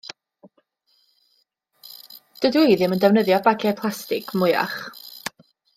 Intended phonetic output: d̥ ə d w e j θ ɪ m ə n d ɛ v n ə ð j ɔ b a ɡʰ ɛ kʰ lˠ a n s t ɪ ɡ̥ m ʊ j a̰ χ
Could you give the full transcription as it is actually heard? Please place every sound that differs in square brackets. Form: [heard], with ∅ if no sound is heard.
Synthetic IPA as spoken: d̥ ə d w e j [ð] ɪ m ə n d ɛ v n ə ð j ɔ b a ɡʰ ɛ [pʰ] lˠ a [∅] s t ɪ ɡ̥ m ʊ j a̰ χ